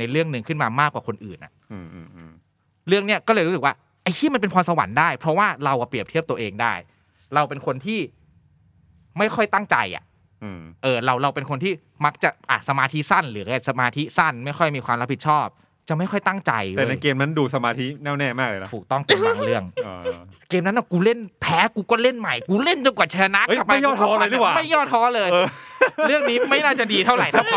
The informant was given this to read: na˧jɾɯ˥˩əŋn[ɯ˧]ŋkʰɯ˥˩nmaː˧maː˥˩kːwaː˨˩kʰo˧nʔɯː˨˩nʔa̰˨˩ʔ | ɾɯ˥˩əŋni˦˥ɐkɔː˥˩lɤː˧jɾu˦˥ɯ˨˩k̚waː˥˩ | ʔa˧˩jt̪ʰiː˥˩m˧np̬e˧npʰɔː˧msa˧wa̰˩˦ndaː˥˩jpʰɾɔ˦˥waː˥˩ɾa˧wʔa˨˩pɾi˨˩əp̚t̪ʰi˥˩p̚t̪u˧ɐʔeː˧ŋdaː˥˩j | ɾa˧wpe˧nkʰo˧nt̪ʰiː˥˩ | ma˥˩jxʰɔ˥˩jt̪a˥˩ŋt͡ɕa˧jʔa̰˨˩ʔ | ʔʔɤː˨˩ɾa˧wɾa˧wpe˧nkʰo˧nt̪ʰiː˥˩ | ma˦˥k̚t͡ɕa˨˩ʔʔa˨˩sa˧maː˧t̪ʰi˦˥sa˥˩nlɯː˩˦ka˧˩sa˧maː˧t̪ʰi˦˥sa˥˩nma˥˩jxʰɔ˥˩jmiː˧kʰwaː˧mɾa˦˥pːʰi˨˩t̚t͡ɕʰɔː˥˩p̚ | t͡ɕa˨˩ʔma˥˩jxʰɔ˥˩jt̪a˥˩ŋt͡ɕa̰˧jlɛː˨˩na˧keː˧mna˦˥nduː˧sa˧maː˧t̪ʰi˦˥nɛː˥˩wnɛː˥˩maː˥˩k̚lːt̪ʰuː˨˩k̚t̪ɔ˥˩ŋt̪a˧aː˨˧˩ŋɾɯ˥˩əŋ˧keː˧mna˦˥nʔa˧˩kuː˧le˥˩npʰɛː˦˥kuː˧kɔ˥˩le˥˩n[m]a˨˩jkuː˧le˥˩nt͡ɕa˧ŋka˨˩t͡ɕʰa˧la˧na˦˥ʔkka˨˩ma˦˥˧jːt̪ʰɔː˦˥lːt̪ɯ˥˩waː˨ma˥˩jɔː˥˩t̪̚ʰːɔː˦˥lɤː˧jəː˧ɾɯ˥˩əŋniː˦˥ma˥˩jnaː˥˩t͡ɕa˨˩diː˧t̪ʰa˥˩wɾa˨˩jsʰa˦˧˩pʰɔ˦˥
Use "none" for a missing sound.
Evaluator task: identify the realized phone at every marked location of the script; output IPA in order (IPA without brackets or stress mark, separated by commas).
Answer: ɯ˧, m